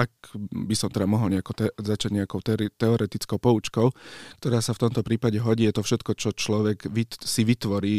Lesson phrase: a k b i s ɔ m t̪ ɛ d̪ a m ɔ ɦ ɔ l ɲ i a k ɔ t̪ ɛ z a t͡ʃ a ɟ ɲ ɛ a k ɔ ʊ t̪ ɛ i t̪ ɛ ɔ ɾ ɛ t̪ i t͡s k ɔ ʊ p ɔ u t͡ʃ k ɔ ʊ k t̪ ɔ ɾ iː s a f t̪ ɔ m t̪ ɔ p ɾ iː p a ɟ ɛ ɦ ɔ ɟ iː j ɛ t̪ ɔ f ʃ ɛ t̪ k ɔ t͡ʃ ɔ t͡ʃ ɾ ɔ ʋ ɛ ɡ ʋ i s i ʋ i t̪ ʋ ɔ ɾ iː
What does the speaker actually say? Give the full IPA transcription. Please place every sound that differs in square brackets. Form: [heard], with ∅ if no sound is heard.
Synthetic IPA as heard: a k b i s ɔ m t̪ ɛ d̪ a m ɔ ɦ ɔ l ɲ [ɛ] a k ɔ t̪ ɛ z a t͡ʃ a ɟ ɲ ɛ a k ɔ ʊ t̪ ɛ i t̪ ɛ ɔ ɾ ɛ t̪ i t͡s k ɔ ʊ p ɔ u t͡ʃ k ɔ ʊ k t̪ ɔ ɾ [aː] s a f t̪ ɔ m t̪ ɔ p ɾ iː p a ɟ ɛ ɦ ɔ ɟ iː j ɛ t̪ ɔ f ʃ ɛ t̪ k ɔ t͡ʃ ɔ t͡ʃ [l] ɔ ʋ ɛ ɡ ʋ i s i ʋ i t̪ ʋ ɔ ɾ iː